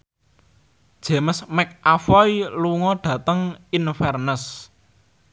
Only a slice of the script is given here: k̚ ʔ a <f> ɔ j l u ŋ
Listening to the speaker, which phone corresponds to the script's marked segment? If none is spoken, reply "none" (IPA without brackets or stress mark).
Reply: f